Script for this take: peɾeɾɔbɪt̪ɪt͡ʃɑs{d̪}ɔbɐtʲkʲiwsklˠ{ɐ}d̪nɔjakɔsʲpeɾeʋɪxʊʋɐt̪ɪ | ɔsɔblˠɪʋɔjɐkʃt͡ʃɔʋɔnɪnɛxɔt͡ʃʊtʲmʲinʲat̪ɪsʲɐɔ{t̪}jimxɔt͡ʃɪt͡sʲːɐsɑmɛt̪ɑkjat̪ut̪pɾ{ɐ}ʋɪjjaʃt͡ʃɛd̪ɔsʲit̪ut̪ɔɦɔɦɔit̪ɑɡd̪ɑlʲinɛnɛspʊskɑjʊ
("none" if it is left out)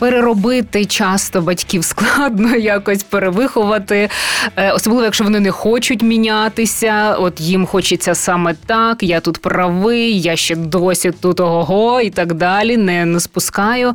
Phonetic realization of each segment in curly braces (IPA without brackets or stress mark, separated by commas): t̪, ɑ, t̪, ɐ